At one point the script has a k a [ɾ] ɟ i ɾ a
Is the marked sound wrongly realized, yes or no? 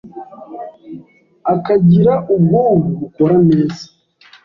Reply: yes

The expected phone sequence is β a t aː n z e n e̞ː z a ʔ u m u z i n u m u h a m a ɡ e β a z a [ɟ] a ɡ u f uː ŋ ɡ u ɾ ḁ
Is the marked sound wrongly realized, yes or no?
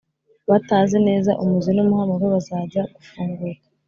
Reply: no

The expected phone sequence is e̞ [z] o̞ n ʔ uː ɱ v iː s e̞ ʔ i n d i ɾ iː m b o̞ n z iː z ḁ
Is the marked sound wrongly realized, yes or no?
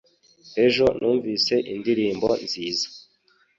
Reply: yes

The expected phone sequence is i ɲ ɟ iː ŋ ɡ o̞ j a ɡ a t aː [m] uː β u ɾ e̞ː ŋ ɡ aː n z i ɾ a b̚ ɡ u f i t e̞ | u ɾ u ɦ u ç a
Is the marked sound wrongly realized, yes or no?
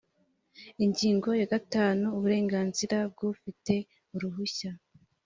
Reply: yes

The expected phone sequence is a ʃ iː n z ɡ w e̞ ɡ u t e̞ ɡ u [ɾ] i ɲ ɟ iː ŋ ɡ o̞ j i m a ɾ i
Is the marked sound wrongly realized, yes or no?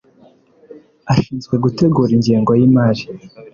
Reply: no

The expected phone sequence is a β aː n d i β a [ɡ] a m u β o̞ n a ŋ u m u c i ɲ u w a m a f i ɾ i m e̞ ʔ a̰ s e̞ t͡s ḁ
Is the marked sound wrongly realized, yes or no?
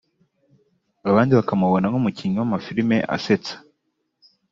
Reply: yes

